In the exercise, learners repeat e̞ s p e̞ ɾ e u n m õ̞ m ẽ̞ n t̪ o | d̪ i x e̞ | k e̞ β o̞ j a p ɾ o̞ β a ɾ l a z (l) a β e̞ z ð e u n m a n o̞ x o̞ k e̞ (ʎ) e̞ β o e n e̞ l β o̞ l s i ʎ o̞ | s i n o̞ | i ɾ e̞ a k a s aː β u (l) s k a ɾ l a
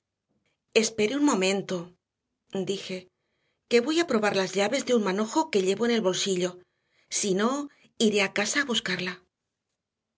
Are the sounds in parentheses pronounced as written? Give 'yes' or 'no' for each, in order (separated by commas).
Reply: no, yes, no